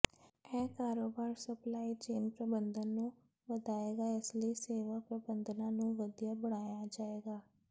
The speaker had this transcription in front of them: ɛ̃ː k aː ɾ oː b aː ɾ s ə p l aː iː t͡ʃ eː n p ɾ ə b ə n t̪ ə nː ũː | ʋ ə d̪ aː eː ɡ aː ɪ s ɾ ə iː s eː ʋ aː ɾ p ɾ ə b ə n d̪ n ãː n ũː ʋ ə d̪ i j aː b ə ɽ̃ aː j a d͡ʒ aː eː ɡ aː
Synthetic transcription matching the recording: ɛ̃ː k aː ɾ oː b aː ɾ s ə p l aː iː t͡ʃ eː n p ɾ ə b ə n d̪ ə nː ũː | ʋ ə d̪ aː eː ɡ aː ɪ s l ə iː s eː ʋ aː p ɾ ə b ə n d̪ n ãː n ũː ʋ ə d̪ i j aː b ə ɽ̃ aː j a d͡ʒ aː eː ɡ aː